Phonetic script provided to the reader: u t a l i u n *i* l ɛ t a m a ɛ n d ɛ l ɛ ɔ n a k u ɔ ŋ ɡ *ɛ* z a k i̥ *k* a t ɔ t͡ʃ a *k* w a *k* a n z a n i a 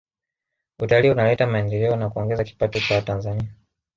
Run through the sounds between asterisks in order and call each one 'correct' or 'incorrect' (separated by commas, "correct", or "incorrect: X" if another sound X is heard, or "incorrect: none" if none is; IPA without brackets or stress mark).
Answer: incorrect: a, correct, incorrect: p, incorrect: none, incorrect: t